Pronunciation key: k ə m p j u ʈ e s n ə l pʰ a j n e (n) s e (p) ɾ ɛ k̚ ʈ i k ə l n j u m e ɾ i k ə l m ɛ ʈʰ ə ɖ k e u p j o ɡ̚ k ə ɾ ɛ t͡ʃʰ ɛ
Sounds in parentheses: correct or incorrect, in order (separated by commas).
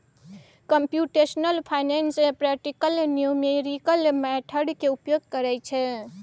correct, correct